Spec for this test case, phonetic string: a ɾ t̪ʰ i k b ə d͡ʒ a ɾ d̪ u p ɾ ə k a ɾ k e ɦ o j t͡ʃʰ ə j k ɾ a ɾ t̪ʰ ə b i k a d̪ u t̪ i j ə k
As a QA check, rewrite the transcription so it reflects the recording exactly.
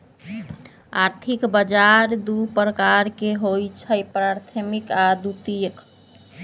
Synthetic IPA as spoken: a ɾ t̪ʰ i k b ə d͡ʒ a ɾ d̪ u p ɾ ə k a ɾ k e ɦ o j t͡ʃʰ ə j p ɾ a ɾ t̪ʰ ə m i k a d̪ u t̪ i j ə k